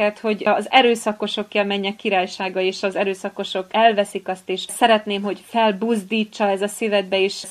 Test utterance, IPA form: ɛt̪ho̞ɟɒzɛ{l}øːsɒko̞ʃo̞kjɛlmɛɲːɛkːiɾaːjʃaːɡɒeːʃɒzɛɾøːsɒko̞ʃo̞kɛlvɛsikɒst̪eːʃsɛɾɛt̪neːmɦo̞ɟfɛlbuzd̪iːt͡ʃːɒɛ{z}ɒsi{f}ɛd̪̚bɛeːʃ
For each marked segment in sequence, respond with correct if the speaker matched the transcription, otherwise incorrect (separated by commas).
incorrect, correct, incorrect